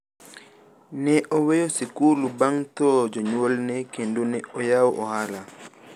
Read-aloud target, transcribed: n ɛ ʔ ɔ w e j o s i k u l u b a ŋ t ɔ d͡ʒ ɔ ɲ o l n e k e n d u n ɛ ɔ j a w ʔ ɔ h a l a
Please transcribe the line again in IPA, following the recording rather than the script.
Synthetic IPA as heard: n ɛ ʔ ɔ w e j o s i k u l u b a ŋ t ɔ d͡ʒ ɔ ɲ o l n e k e n d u n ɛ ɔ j a w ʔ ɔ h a l a